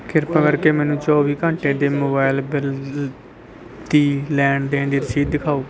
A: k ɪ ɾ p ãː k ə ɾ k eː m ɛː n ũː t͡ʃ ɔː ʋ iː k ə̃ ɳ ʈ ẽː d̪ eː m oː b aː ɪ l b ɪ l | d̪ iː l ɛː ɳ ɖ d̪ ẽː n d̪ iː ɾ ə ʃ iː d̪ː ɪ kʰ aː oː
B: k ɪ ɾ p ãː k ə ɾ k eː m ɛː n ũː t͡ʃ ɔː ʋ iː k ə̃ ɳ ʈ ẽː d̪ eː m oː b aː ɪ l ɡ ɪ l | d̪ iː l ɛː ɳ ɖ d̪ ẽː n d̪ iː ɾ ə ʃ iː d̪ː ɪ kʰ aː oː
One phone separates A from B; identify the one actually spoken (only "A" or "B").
A